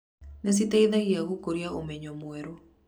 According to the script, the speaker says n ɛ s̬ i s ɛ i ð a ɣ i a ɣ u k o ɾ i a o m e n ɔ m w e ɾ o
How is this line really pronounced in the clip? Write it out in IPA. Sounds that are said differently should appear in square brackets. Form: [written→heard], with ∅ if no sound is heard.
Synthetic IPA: n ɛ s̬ i [s→t] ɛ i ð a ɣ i a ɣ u k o ɾ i a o m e [n→ɲ] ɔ m w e ɾ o